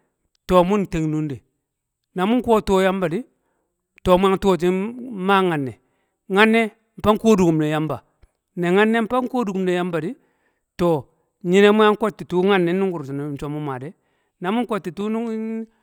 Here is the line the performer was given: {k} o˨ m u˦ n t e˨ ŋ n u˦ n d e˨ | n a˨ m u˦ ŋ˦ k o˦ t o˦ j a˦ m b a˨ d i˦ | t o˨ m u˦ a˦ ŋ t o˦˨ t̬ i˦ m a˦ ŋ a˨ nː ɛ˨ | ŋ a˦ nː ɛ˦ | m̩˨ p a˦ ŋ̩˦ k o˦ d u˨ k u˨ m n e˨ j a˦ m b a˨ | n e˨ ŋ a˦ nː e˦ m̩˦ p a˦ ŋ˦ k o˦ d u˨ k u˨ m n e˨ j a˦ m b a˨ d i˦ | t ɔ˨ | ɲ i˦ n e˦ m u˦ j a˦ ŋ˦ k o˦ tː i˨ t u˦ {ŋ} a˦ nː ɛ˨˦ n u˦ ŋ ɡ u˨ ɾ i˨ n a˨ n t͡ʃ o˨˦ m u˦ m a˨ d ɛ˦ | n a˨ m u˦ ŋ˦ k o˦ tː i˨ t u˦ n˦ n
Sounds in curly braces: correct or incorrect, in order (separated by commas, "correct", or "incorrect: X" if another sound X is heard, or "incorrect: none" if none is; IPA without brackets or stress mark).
incorrect: t, correct